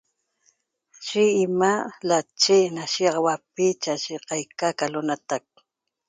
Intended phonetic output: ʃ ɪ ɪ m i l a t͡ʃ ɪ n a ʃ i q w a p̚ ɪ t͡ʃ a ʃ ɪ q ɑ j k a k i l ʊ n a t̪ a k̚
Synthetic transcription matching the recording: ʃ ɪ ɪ m a l a t͡ʃ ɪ n a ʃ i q w a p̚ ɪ t͡ʃ a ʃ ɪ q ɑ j k a k a l ʊ n a t̪ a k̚

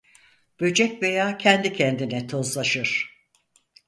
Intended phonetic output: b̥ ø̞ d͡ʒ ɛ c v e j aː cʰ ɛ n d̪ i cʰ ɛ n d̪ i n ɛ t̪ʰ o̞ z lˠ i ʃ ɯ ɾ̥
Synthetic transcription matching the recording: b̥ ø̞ d͡ʒ ɛ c v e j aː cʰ ɛ n d̪ i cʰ ɛ n d̪ i n ɛ t̪ʰ o̞ z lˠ a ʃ ɯ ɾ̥

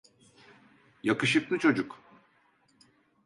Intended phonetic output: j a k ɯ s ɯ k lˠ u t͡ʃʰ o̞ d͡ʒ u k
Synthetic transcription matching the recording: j a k ɯ ʃ ɯ k lˠ ɯ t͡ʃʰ o̞ d͡ʒ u k

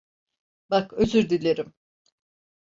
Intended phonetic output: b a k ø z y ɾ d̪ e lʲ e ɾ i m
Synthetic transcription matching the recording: b a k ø z y ɾ d̪ i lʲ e ɾ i m

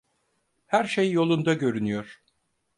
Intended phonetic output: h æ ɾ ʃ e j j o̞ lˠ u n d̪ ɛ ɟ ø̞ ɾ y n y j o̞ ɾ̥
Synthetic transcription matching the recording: h æ ɾ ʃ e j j o̞ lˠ u n d̪ a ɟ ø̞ ɾ y n y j o̞ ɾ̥

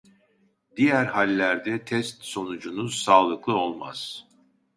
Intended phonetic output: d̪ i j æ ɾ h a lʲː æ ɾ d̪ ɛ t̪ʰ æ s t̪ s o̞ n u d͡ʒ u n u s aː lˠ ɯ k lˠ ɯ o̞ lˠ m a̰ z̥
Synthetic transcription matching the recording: d̪ i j æ ɾ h a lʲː æ ɾ d̪ ɛ t̪ʰ ɛ s t̪ s o̞ n u d͡ʒ u n u s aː lˠ ɯ k lˠ ɯ o̞ lˠ m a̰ z̥

